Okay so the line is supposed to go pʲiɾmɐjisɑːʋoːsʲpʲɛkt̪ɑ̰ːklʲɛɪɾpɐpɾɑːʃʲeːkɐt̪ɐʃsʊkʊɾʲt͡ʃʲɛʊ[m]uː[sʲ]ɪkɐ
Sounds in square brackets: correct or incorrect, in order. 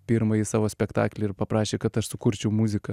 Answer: correct, incorrect: zʲ

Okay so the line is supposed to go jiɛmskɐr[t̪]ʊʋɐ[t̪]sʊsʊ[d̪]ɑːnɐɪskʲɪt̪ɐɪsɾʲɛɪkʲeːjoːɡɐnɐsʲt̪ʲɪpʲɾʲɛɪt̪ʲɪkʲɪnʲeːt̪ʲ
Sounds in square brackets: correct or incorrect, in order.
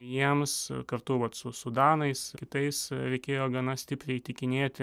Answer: correct, correct, correct

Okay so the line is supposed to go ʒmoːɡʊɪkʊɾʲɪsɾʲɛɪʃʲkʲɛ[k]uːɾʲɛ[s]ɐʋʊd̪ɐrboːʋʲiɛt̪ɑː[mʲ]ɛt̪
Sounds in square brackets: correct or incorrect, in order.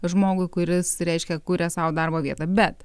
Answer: correct, correct, incorrect: bʲ

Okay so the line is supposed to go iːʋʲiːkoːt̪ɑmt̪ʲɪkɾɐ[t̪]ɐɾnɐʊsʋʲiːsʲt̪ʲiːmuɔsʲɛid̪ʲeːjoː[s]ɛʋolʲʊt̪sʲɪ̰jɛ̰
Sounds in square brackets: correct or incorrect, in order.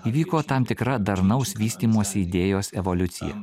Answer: incorrect: d̪, correct

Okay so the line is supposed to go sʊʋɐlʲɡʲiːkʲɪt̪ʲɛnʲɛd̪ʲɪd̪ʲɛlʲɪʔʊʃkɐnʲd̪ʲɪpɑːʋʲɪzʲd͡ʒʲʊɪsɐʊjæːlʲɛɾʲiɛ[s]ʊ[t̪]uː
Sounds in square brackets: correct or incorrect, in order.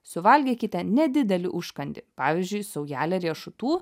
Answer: incorrect: ʃ, correct

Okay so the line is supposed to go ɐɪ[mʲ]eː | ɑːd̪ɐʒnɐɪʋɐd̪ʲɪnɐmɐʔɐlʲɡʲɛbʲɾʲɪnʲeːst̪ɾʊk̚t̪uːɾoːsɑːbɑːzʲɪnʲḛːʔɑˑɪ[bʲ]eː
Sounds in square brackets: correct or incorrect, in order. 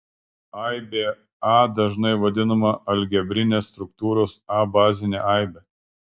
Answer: incorrect: bʲ, correct

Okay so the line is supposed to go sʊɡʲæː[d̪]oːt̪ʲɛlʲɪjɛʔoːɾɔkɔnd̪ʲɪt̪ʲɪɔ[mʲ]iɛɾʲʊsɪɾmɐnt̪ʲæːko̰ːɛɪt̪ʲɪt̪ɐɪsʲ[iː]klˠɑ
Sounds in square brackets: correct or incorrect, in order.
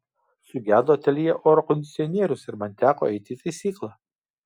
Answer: correct, incorrect: nʲ, correct

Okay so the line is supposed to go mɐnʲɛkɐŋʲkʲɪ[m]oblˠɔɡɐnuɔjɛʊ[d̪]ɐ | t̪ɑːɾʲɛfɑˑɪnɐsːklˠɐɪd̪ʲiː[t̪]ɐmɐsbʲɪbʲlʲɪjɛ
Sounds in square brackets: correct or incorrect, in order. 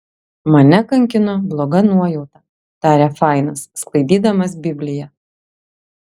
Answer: incorrect: n, incorrect: t̪, incorrect: d̪

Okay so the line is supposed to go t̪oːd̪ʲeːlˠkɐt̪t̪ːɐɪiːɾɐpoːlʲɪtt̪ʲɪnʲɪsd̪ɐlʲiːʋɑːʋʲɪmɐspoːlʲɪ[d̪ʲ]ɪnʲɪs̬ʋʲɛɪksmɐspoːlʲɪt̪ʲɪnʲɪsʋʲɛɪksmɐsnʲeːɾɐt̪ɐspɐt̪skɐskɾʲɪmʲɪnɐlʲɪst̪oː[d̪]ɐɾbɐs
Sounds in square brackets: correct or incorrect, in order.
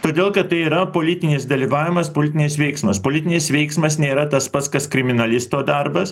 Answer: incorrect: t̪ʲ, correct

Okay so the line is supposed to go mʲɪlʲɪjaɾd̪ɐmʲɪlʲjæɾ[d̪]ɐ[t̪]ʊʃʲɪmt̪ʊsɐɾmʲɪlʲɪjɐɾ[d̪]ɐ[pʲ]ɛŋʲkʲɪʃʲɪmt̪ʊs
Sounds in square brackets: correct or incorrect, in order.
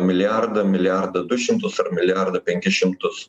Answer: correct, incorrect: d̪, correct, correct

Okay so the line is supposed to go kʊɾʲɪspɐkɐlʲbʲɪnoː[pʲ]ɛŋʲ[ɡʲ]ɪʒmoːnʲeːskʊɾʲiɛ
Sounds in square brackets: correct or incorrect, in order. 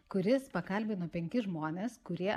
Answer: correct, incorrect: kʲ

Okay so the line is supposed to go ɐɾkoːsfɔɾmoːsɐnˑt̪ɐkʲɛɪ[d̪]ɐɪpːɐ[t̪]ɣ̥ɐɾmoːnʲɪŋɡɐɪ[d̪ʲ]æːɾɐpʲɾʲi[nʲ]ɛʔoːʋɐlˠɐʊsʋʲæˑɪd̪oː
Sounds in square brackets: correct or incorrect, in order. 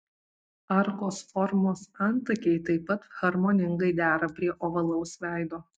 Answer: incorrect: t̪, correct, correct, incorrect: none

